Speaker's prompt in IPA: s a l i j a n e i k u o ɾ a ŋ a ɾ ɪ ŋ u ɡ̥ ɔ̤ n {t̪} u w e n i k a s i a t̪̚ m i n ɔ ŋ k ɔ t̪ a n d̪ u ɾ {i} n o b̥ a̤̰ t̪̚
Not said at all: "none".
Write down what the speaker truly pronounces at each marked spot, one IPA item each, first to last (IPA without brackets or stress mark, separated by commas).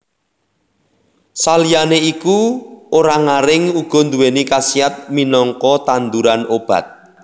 d̪, a